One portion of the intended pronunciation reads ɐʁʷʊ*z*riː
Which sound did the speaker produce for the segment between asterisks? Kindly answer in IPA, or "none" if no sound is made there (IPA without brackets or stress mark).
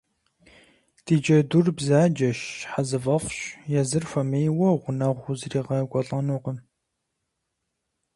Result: z